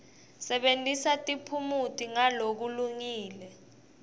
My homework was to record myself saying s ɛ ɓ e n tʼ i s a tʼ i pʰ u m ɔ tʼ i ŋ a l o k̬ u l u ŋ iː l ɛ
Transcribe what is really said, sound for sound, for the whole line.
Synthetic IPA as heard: s ɛ ɓ e n tʼ i s a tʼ i pʰ u m u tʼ i ŋ a l o k̬ u l u ŋ iː l ɛ